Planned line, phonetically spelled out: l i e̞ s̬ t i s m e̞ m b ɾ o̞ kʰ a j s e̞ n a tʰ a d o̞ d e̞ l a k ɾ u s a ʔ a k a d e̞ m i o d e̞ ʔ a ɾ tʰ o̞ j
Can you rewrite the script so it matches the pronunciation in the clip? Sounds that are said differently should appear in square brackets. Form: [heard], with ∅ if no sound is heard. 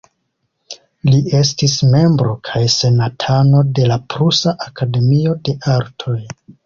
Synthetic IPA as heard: l i e̞ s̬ t i s m e̞ m b ɾ o̞ kʰ a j s e̞ n a tʰ a [n] o̞ d e̞ l a [p] ɾ u s a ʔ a k a d e̞ m i o d e̞ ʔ a ɾ tʰ o̞ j